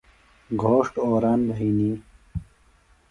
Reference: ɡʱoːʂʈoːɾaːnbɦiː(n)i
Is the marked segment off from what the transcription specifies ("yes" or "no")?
no